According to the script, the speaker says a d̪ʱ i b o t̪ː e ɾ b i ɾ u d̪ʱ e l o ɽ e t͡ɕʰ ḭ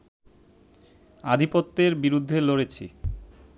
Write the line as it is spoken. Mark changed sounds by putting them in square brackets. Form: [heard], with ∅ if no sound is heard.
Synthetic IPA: a d̪ʱ i [p] o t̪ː e ɾ b i ɾ u [d̪ʱː] e l o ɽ e t͡ɕʰ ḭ